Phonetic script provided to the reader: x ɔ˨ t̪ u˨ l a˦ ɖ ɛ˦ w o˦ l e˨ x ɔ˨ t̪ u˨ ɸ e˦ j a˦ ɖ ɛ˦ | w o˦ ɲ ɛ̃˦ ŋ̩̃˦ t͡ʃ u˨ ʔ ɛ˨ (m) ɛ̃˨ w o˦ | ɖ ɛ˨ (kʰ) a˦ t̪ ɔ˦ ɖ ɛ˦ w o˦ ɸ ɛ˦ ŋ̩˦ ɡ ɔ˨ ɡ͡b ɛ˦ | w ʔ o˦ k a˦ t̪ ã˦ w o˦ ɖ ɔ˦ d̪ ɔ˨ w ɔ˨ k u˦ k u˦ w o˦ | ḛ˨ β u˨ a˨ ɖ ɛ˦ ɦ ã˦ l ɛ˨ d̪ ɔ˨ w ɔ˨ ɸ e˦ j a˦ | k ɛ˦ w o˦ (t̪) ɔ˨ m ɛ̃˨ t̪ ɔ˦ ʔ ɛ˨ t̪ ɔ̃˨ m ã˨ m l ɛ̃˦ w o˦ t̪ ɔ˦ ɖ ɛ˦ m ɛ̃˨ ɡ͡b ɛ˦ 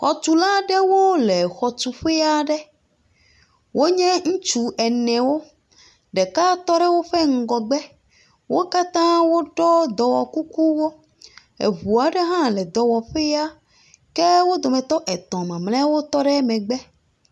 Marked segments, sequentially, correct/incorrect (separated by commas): incorrect, incorrect, incorrect